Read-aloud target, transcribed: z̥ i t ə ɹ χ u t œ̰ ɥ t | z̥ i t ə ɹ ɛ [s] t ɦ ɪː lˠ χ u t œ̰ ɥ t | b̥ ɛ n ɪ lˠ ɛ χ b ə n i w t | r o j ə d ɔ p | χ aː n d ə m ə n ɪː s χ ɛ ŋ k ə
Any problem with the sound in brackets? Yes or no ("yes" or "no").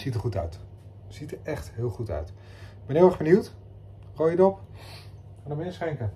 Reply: yes